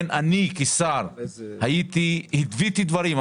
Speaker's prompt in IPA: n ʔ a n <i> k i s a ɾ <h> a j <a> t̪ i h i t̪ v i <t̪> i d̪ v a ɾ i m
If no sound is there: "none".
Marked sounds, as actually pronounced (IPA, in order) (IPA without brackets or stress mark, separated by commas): i, h, i, t̪